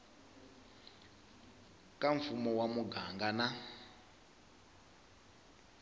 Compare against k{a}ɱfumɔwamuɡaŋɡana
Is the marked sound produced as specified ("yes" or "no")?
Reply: yes